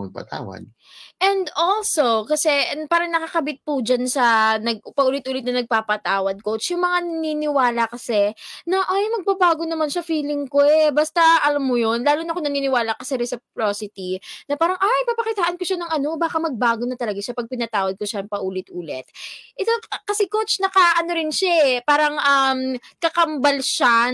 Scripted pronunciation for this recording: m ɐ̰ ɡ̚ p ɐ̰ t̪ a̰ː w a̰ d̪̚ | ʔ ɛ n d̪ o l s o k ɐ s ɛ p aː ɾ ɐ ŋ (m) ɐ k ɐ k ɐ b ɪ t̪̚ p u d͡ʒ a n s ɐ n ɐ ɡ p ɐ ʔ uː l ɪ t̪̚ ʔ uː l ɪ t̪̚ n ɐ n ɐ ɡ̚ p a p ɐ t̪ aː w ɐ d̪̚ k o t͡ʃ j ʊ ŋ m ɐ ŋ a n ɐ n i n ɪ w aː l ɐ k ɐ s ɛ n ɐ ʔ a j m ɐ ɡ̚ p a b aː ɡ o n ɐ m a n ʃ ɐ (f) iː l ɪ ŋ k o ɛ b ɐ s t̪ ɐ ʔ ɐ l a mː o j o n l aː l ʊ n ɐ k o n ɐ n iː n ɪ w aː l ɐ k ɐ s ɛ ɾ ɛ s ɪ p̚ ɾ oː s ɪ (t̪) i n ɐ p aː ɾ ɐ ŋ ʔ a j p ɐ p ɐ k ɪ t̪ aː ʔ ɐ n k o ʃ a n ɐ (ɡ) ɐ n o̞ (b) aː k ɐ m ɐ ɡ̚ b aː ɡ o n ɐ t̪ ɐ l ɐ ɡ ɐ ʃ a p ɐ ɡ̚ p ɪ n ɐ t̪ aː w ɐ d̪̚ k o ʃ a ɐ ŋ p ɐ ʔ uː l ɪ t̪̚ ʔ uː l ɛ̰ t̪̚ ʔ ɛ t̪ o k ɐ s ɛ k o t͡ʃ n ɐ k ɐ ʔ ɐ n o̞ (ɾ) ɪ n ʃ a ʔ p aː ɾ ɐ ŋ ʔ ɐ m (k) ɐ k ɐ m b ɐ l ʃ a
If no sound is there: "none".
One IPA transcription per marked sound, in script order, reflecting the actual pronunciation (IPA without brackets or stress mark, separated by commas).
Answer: n, f, t̪, ŋ, b, ɾ, k